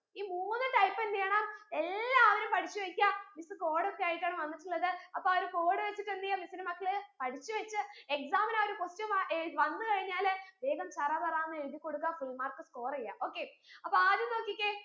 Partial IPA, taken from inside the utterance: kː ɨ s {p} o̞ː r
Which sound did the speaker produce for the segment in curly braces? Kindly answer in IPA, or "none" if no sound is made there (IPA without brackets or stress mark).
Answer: k